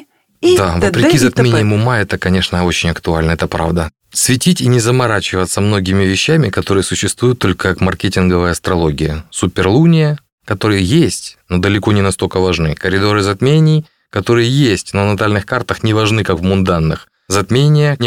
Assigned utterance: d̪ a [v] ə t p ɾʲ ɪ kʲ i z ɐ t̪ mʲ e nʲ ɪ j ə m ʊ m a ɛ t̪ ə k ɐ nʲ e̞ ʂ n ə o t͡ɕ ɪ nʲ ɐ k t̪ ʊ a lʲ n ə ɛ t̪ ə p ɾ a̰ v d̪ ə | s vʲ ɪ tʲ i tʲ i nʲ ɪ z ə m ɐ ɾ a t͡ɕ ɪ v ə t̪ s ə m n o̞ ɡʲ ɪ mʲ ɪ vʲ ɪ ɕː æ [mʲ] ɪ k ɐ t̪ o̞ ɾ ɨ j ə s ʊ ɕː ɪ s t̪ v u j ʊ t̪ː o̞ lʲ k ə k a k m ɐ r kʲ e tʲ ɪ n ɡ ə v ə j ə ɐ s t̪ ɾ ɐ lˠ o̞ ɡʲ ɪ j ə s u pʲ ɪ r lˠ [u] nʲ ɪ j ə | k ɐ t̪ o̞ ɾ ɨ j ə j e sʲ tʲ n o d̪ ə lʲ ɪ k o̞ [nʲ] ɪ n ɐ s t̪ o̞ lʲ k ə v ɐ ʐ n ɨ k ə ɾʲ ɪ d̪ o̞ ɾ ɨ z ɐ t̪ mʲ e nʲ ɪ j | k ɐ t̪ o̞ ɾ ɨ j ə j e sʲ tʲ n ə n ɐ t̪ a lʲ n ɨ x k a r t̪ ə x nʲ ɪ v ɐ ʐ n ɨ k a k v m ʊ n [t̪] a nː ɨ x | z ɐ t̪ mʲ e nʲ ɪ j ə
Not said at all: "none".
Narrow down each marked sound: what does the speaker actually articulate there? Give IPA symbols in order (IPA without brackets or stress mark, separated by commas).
v, mʲ, u, nʲ, d̪